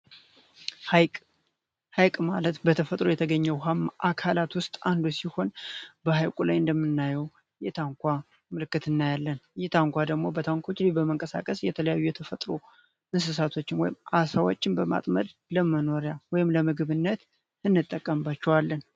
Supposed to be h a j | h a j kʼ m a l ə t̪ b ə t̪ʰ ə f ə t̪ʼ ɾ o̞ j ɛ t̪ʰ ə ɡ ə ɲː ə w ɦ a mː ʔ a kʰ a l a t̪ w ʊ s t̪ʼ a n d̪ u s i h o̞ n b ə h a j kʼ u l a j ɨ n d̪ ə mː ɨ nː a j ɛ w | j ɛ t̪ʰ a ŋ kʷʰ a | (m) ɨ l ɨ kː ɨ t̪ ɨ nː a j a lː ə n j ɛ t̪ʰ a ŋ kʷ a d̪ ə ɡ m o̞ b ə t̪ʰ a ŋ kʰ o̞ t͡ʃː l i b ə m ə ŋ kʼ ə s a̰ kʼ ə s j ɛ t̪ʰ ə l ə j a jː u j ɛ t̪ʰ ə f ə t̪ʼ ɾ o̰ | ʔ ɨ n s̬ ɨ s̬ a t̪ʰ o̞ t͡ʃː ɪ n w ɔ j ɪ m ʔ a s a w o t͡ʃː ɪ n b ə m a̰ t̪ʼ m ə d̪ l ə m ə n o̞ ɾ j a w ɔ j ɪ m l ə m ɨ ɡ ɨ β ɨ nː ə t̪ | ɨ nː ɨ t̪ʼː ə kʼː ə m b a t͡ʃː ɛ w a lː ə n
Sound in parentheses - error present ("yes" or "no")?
no